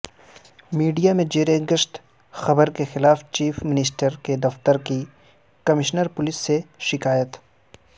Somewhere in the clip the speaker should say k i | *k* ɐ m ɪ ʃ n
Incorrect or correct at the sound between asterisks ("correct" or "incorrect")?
correct